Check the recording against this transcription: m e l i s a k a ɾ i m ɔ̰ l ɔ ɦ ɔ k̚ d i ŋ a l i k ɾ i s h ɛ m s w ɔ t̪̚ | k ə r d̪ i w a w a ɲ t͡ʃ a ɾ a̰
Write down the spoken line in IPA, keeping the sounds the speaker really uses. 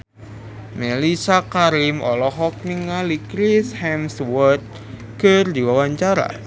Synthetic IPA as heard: m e l i s a k a ɾ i m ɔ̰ l ɔ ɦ ɔ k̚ n i ŋ a l i k ɾ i s h ɛ m s w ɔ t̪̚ | k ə r d̪ i w a w a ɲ t͡ʃ a ɾ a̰